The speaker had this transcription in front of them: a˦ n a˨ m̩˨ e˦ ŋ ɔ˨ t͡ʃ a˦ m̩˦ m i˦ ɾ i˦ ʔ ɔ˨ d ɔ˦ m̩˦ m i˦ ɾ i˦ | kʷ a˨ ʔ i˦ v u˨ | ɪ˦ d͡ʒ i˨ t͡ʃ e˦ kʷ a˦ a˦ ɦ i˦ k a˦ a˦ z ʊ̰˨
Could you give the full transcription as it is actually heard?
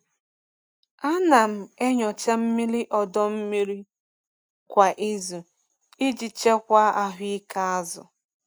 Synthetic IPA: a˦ n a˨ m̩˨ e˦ ɲ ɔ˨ t͡ʃ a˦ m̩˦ m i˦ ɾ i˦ ʔ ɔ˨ d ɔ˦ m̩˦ m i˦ ɾ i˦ | kʷ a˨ ʔ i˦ z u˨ | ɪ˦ d͡ʒ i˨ t͡ʃ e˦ kʷ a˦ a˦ ɦ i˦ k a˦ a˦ z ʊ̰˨